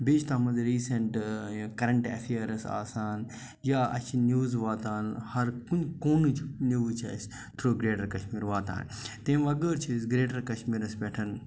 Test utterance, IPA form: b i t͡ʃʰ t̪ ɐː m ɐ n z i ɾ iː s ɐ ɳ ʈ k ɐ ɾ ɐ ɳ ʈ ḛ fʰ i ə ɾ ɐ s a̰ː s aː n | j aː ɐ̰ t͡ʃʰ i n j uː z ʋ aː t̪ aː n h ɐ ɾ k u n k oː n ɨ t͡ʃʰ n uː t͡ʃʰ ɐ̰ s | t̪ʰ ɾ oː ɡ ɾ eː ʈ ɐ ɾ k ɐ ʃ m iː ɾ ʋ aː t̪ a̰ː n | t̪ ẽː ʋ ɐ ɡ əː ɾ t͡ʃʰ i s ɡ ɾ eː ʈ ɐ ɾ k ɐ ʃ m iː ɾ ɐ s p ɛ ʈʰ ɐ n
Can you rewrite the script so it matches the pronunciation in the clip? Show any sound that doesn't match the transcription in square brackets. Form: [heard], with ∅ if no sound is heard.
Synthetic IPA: b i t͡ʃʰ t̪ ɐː m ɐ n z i ɾ iː s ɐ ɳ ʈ k ɐ ɾ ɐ ɳ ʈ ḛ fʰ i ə ɾ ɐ s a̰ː s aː n | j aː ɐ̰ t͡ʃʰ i n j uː z ʋ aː t̪ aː n h ɐ ɾ k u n k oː n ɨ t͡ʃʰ n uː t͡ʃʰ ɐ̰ s | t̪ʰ ɾ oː ɡ ɾ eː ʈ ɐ ɾ k ɐ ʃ m iː ɾ ʋ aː t̪ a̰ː n | t̪ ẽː ʋ ɐ ɡ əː ɾ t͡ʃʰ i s ɡ ɾ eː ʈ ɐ ɾ k ɐ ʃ m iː ɾ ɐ s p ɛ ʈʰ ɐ n